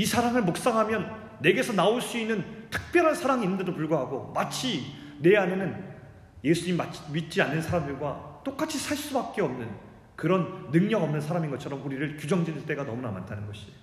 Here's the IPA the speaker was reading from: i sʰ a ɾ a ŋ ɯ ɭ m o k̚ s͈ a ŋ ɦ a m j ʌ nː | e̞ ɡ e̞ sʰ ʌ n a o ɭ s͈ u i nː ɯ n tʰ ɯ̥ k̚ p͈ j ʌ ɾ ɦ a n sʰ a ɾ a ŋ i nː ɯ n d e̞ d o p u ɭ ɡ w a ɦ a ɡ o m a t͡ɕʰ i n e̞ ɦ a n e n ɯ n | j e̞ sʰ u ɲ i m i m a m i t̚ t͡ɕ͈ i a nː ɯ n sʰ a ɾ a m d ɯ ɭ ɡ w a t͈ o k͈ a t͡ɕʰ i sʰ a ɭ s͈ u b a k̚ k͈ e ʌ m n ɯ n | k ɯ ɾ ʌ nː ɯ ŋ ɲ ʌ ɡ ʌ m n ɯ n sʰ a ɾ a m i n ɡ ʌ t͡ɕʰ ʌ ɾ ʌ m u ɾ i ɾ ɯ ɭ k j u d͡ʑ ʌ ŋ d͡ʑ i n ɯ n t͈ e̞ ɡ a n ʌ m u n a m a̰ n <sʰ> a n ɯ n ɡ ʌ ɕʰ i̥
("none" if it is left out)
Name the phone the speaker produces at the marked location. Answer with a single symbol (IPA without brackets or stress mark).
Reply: tʰ